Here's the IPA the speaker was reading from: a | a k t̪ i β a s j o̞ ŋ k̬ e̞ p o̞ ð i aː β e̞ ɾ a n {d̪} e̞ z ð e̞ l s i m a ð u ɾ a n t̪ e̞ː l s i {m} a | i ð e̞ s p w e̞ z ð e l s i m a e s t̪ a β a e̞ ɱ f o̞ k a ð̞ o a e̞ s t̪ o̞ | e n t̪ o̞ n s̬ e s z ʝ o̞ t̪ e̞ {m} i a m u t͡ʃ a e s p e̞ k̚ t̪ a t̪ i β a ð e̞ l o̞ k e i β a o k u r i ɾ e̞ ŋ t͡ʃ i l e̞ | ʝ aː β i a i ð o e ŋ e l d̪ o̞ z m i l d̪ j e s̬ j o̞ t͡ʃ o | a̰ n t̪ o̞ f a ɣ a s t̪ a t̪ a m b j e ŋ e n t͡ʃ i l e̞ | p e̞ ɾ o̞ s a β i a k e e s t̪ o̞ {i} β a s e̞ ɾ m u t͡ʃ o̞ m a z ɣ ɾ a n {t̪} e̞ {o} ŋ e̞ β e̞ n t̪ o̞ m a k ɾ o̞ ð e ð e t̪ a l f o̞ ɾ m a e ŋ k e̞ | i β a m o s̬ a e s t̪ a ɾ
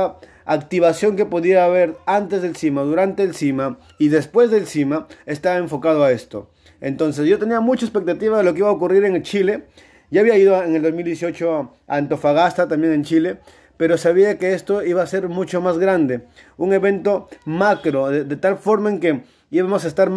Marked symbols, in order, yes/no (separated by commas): no, yes, no, yes, no, no